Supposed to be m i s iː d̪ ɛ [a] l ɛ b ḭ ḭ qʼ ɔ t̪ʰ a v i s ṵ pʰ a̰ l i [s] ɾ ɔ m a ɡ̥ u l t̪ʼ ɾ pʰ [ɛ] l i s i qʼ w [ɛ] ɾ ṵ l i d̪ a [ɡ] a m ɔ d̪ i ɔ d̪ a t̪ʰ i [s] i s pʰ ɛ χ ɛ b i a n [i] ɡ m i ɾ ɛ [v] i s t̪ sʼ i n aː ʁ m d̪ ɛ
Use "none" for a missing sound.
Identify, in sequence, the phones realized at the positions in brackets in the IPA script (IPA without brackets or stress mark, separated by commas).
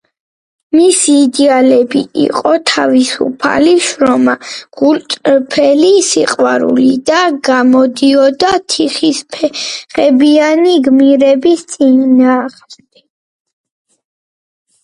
a, ʃ, ɛ, a, ɡ, χ, i, b